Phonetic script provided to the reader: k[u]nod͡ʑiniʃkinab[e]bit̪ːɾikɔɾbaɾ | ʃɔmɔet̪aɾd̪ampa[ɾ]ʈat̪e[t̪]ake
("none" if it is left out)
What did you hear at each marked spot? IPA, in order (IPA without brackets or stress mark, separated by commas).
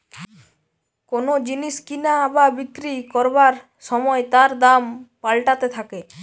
o, a, l, t̪ʰ